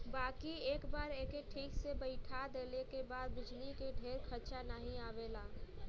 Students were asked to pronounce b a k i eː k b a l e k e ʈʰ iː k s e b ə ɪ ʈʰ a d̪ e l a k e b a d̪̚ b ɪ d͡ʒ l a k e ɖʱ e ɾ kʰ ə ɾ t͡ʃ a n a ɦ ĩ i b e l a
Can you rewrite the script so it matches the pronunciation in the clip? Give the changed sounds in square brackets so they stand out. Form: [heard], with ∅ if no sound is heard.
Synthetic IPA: b a k i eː k b a [ɾ] e k e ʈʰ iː k s e b ə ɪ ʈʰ a d̪ e l [e] k e b a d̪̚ b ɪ d͡ʒ l [i] k e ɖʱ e ɾ kʰ ə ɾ t͡ʃ a n a ɦ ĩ [a] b e l a